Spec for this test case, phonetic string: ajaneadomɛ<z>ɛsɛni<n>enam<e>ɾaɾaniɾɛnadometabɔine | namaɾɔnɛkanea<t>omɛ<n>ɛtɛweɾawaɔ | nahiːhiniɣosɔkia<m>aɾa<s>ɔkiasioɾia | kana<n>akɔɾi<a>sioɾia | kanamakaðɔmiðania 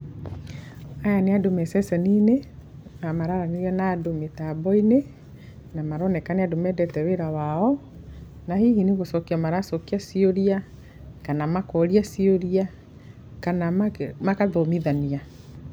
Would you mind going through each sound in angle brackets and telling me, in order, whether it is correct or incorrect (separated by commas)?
incorrect, correct, incorrect, incorrect, incorrect, correct, correct, incorrect, correct